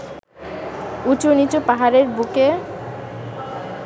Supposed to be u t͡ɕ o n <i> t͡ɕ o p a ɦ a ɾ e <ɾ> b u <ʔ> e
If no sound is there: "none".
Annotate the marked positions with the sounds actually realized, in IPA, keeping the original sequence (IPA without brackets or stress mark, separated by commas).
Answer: i, ɾ, k